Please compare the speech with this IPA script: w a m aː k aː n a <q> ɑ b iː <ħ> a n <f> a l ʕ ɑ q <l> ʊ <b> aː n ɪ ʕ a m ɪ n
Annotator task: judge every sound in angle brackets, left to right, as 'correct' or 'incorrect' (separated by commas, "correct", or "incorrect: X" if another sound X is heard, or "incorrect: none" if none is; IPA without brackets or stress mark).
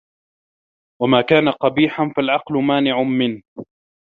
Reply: correct, correct, correct, correct, incorrect: m